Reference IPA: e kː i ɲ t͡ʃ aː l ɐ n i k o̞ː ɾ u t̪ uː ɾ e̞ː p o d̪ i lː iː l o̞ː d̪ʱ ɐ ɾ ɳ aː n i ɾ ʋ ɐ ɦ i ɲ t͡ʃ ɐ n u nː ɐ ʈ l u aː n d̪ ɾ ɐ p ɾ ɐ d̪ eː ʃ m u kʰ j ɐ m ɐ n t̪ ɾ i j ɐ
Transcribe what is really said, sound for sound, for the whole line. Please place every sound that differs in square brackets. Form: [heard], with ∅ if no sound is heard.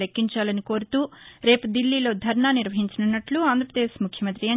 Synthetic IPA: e kː i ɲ t͡ʃ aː l ɐ n i k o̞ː ɾ u t̪ uː ɾ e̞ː p [u] d̪ i lː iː l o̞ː d̪ʱ ɐ ɾ ɳ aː n i ɾ ʋ ɐ ɦ i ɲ t͡ʃ ɐ n u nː ɐ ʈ l u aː n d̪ ɾ ɐ p ɾ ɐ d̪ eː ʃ m u kʰ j ɐ m ɐ n t̪ ɾ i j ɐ